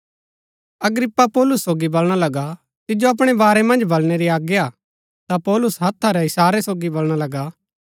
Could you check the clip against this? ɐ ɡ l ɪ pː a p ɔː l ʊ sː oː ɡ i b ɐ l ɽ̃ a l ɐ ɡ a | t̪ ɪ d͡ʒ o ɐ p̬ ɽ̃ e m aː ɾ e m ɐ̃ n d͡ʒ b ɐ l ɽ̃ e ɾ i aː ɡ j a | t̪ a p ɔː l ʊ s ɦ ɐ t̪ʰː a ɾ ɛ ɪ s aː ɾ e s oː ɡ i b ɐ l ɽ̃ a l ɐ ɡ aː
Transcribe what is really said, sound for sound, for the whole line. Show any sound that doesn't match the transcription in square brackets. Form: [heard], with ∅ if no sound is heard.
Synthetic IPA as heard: ɐ ɡ [ɾ] ɪ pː a p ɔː l ʊ sː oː ɡ i b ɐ l ɽ̃ a l ɐ ɡ a | t̪ ɪ d͡ʒ o ɐ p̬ ɽ̃ e [b] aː ɾ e m ɐ̃ n d͡ʒ b ɐ l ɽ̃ e ɾ i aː ɡ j a | t̪ a p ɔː l ʊ s ɦ ɐ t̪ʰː a ɾ ɛ ɪ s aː ɾ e s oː ɡ i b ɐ l ɽ̃ a l ɐ ɡ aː